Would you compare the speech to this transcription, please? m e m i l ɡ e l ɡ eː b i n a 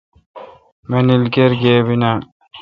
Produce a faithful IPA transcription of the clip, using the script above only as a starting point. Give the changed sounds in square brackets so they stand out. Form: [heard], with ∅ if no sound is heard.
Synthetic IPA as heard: m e [n] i l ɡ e [ɾ] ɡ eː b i n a